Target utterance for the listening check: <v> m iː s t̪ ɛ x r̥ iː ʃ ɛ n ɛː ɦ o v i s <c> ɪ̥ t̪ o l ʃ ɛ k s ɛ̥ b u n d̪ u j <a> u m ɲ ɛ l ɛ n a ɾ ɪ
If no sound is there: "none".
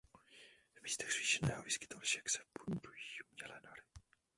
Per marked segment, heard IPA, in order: v, k, i

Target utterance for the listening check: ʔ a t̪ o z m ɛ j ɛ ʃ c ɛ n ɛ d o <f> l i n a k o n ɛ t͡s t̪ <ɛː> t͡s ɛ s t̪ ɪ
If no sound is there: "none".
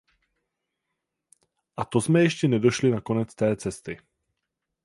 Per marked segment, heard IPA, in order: ʃ, ɛː

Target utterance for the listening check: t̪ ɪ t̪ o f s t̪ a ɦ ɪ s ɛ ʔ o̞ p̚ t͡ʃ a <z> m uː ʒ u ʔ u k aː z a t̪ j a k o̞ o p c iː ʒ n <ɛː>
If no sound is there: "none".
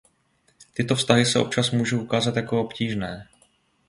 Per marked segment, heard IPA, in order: s, ɛː

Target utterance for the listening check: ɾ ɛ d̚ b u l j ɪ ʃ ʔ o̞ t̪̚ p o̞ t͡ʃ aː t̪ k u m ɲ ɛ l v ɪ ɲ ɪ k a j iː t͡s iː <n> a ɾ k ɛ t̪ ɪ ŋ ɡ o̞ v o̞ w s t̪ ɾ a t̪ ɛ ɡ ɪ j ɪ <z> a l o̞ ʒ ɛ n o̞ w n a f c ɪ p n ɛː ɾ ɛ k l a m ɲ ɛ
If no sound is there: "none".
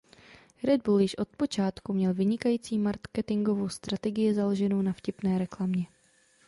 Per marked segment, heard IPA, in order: m, z

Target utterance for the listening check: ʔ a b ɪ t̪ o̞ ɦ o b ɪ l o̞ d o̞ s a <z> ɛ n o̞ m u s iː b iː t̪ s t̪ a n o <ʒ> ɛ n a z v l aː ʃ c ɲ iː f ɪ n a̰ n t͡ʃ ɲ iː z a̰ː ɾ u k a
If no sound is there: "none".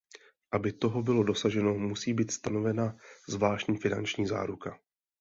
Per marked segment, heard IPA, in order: ʒ, v

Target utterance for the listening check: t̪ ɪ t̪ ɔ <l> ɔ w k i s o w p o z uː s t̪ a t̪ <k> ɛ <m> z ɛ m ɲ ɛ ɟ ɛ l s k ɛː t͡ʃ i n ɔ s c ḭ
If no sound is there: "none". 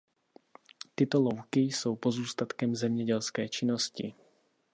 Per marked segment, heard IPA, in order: l, k, m

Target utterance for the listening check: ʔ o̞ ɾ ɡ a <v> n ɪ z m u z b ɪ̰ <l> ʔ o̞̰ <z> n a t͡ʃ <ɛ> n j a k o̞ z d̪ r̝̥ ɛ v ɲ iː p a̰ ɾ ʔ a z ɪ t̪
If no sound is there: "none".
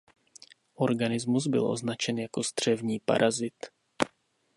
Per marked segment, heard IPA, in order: none, l, z, ɛ

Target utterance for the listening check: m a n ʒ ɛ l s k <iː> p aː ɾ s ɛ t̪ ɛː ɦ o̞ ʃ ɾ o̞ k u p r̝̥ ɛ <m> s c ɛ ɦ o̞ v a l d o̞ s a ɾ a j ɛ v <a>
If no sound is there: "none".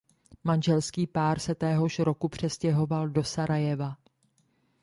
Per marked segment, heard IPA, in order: iː, none, a

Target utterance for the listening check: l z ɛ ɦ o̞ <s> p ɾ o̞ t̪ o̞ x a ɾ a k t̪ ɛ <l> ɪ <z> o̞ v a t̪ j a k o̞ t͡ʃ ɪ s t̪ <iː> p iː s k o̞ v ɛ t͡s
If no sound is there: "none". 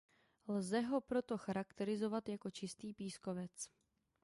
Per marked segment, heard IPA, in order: none, ɾ, z, iː

